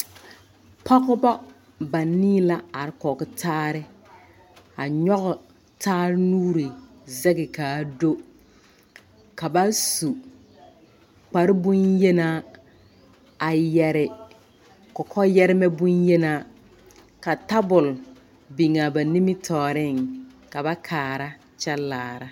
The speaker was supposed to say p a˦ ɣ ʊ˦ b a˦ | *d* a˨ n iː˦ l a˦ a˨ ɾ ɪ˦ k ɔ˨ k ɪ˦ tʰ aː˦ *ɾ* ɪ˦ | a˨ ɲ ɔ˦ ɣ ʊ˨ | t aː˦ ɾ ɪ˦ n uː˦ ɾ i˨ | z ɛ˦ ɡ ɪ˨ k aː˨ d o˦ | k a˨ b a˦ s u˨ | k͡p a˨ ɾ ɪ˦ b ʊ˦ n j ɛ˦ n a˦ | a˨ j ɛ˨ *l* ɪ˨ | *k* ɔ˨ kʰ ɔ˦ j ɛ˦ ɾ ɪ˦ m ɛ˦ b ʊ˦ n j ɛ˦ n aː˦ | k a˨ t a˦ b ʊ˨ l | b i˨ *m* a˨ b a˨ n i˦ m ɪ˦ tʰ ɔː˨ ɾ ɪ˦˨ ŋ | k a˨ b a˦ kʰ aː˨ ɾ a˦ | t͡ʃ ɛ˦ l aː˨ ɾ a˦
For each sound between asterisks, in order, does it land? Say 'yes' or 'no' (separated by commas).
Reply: no, yes, no, yes, no